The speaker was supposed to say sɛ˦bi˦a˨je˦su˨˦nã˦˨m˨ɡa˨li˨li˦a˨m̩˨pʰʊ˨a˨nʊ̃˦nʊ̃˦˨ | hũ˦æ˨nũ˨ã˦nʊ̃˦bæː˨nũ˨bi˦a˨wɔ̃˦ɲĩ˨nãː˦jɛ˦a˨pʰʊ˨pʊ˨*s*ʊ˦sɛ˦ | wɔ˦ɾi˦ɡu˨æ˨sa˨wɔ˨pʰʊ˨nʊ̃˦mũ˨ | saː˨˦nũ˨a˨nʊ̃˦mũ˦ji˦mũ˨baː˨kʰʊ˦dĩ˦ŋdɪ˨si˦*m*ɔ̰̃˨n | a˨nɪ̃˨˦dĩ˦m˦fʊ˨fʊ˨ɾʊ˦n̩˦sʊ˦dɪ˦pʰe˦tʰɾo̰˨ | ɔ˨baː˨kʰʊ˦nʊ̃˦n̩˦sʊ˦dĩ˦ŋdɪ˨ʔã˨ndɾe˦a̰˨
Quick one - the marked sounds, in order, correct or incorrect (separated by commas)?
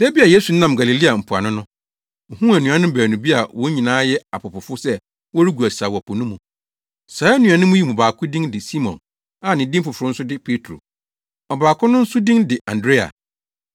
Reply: incorrect, correct